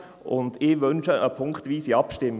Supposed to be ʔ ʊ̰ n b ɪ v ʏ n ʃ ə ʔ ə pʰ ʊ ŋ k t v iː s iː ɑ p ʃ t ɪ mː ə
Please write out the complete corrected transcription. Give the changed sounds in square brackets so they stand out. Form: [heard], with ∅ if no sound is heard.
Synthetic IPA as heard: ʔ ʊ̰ n [d] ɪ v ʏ n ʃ ə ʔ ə pʰ ʊ ŋ k t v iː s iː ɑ p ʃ t ɪ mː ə